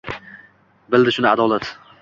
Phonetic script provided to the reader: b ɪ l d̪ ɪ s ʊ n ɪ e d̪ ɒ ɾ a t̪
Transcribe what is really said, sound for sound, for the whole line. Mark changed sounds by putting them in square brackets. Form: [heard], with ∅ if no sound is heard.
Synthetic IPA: b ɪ l d̪ ɪ [ʃ] ʊ n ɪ [a] d̪ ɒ [l] a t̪